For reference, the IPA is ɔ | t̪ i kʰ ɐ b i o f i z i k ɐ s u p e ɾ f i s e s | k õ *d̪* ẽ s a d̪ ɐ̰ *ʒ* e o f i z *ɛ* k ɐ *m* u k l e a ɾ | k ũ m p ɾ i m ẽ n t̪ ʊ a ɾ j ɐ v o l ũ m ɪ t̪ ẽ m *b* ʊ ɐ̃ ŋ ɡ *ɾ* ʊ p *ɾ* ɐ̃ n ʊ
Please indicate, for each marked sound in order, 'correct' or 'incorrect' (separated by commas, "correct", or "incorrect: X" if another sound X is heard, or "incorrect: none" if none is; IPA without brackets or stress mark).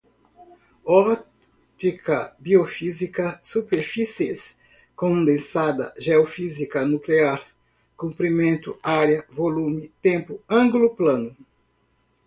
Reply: correct, correct, incorrect: i, incorrect: n, incorrect: p, incorrect: l, incorrect: l